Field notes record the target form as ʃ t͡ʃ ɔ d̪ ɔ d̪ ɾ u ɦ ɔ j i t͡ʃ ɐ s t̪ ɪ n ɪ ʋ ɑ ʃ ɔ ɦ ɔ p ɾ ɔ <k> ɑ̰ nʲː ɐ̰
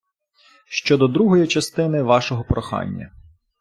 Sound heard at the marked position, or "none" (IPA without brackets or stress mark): x